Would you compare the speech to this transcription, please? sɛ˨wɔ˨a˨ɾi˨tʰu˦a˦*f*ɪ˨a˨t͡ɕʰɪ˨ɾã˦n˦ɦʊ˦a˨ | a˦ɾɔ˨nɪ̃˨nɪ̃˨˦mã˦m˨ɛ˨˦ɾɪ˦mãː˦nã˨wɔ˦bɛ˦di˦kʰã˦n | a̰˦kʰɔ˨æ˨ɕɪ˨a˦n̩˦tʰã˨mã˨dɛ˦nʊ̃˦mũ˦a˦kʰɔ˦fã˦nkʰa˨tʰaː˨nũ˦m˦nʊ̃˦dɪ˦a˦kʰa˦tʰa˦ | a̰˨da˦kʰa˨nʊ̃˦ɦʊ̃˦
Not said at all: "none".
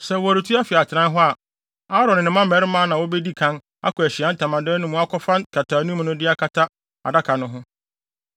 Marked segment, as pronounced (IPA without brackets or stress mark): f